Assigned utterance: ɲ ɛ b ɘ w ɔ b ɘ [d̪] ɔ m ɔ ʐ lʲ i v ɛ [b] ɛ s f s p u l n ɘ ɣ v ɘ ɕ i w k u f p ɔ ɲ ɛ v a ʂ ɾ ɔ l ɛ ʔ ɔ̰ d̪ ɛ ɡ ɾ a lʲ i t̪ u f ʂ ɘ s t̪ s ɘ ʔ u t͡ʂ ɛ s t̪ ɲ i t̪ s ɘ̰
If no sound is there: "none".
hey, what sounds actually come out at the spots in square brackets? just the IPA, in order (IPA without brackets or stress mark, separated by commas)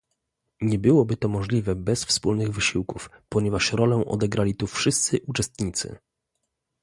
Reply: t̪, b